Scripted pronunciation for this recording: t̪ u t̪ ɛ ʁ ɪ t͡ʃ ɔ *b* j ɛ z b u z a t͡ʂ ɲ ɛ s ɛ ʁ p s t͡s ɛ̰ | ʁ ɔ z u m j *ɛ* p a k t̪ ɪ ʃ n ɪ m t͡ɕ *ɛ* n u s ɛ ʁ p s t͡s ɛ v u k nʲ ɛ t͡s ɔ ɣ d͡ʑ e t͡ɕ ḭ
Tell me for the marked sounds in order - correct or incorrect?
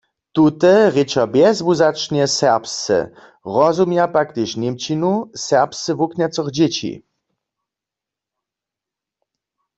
correct, incorrect: a, incorrect: i

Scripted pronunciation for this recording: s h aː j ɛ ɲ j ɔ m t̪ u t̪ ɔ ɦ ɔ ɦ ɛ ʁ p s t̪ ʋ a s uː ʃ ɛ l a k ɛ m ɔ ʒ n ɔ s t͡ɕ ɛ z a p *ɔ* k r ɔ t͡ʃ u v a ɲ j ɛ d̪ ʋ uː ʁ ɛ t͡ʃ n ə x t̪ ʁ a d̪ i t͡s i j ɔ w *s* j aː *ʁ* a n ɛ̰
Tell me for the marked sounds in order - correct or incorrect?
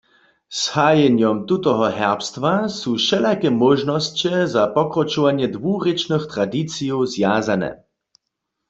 correct, incorrect: z, incorrect: z

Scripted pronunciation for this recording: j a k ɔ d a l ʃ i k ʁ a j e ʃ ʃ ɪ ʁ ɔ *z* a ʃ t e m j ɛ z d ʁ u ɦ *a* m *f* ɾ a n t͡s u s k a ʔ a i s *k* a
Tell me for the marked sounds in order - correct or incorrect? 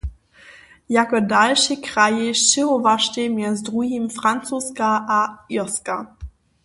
incorrect: v, incorrect: i, correct, correct

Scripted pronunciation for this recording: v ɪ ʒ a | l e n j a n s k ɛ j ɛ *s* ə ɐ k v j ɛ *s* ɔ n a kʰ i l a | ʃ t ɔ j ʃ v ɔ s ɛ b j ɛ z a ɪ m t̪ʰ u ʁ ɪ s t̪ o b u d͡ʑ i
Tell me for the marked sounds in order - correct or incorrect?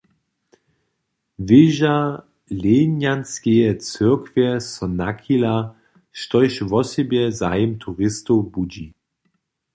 incorrect: t͡s, correct

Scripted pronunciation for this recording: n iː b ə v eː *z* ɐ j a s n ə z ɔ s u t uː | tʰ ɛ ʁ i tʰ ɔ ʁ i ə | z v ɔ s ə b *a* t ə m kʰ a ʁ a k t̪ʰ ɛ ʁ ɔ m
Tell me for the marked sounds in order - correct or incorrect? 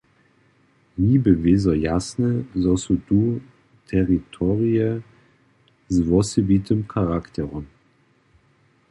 correct, incorrect: i

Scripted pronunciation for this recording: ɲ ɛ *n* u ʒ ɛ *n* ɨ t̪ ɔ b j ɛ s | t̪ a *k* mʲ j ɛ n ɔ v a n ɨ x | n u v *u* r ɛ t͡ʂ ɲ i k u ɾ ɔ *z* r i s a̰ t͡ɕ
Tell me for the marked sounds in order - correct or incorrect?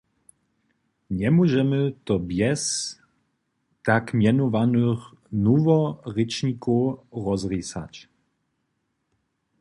incorrect: m, incorrect: m, correct, incorrect: ɔ, correct

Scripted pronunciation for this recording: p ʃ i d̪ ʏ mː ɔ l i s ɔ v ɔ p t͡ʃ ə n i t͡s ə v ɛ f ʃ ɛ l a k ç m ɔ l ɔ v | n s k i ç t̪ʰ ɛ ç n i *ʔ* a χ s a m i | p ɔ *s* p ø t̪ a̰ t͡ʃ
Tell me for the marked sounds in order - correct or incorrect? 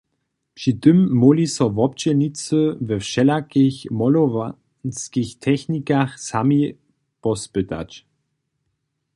incorrect: k, correct

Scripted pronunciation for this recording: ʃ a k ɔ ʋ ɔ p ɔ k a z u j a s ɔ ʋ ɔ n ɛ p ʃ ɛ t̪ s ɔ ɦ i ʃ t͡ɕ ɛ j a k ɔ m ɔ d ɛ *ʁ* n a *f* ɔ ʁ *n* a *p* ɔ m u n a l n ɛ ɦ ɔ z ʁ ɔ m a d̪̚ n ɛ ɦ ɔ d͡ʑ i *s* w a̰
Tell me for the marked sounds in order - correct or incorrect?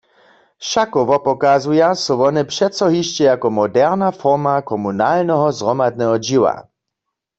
correct, correct, incorrect: m, incorrect: k, incorrect: none

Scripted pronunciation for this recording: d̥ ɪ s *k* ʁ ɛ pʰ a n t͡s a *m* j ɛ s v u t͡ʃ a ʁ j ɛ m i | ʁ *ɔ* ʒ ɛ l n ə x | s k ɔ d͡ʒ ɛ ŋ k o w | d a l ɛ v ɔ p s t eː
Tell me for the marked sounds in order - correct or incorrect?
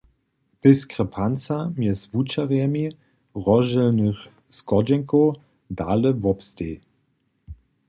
correct, correct, correct

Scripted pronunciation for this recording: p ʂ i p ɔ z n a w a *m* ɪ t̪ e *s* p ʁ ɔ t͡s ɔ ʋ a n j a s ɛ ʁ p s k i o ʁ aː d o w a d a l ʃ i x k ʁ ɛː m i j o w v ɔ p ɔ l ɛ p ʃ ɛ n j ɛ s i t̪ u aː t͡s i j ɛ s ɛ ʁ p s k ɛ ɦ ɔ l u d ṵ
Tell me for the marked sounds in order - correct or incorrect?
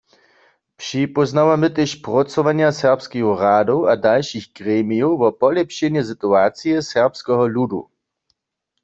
correct, incorrect: ʃ

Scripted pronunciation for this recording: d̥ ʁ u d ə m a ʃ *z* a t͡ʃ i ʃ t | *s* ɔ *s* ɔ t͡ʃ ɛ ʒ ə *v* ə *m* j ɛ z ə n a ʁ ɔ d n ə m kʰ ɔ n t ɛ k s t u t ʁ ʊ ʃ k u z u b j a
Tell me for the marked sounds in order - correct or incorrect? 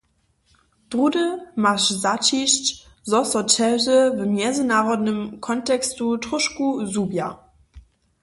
correct, incorrect: z, correct, correct, correct

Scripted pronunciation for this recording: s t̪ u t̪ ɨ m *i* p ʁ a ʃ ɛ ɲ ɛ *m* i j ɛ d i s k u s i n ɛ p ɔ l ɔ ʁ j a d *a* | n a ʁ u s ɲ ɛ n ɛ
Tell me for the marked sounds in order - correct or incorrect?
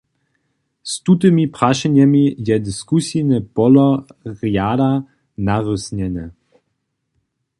correct, correct, correct

